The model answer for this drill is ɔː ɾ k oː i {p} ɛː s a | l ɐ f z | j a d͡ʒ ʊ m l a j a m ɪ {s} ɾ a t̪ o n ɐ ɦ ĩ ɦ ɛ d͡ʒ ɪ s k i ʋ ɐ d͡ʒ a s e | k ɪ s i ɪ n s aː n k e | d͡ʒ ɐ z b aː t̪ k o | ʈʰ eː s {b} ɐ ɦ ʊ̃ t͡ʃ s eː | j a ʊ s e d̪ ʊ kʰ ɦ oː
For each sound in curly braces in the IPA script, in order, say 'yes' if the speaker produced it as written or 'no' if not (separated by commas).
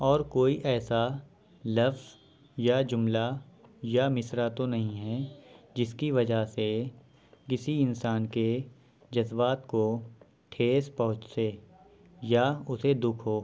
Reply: no, yes, no